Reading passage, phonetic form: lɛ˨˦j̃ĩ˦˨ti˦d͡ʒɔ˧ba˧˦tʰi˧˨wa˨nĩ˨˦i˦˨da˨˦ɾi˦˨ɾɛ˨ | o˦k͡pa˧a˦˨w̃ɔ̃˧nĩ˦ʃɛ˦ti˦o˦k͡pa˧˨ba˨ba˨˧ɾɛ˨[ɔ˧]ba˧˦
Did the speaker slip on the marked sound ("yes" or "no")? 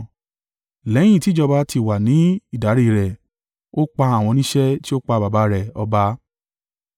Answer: no